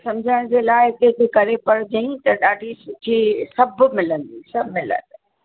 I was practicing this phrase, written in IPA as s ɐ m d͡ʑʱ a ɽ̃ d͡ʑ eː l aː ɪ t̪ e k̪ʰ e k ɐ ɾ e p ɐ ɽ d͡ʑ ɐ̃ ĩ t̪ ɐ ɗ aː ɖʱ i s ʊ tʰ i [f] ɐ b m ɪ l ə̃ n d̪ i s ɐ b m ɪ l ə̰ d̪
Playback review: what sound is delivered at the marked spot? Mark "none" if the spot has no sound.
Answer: s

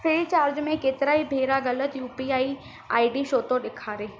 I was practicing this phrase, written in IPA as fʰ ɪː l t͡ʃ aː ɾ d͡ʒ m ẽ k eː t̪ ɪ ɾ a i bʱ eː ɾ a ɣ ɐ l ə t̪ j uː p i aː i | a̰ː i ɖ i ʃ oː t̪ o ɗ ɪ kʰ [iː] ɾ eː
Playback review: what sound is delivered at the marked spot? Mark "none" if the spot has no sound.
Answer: aː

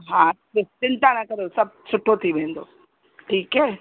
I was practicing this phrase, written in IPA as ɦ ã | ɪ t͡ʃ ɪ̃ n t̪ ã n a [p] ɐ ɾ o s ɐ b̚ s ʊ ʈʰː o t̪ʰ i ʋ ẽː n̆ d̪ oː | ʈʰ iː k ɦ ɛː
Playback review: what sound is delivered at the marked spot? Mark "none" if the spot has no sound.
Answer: k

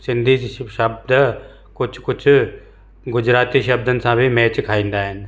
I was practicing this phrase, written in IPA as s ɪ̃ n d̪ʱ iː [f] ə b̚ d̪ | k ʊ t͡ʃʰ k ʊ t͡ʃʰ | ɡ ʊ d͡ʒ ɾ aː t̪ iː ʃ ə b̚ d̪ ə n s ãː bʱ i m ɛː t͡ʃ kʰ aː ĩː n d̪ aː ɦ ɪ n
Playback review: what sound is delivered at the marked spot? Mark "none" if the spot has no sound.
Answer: ʃ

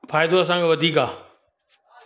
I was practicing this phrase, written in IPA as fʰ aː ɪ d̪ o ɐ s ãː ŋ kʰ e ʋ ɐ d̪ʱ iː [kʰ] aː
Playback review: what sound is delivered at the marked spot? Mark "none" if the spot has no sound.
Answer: k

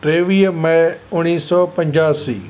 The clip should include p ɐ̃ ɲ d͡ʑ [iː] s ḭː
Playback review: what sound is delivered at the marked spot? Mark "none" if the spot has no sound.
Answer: aː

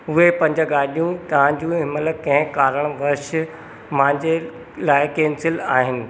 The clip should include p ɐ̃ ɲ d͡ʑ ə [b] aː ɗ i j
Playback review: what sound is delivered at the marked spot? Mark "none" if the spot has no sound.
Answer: ɡ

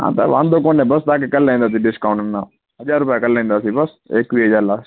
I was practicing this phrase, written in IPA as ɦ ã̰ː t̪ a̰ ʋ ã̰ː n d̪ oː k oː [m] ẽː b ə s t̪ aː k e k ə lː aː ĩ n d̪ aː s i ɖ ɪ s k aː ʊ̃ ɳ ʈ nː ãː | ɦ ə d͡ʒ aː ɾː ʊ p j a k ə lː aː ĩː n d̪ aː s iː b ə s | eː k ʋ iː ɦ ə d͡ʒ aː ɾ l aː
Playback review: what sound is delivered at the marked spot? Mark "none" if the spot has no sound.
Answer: n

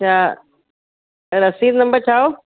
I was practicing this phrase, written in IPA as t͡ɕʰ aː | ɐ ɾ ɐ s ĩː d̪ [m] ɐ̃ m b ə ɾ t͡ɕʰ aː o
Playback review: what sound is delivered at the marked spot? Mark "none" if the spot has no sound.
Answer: n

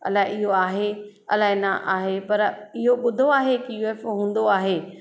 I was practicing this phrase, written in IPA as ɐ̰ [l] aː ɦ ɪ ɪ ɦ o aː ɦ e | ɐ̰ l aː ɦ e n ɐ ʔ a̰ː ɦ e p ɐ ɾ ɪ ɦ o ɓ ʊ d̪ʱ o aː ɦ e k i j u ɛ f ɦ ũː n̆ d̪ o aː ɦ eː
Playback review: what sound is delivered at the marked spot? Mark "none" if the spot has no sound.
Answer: l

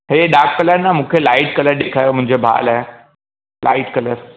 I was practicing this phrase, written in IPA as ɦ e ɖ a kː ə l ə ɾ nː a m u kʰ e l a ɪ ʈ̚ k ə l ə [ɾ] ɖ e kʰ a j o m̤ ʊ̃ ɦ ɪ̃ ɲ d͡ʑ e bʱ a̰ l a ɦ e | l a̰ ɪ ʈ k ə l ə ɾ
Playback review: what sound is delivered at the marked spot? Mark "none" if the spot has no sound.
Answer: ɾ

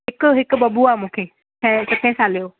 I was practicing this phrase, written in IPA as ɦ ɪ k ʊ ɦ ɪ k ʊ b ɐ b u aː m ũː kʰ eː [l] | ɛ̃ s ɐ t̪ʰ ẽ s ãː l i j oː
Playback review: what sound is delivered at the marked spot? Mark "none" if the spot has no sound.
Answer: none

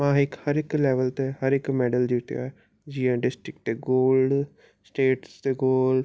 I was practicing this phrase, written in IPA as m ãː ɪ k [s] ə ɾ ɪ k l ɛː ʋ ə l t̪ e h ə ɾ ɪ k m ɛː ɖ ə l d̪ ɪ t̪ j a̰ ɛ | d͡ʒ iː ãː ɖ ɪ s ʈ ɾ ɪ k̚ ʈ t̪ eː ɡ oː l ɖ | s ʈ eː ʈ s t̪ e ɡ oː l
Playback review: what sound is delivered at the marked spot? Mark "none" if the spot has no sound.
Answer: h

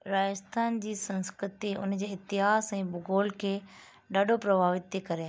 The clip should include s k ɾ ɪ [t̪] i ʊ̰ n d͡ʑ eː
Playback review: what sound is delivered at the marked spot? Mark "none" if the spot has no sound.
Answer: t̪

